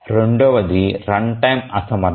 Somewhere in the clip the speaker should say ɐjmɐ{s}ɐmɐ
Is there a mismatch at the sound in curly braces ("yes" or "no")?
no